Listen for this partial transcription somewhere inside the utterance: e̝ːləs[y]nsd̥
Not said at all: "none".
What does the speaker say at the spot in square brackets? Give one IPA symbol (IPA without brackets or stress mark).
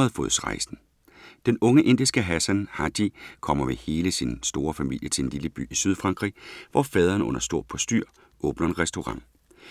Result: i